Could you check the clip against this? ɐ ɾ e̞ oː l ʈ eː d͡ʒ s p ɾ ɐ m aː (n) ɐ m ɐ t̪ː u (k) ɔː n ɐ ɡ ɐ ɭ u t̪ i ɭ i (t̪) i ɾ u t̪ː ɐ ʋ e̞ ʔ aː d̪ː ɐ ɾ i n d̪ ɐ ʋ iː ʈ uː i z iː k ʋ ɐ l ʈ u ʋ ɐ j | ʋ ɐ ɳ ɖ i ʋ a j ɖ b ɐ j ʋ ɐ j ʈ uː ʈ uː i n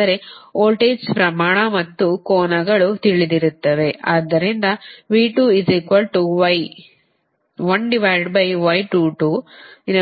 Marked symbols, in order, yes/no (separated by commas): no, yes, no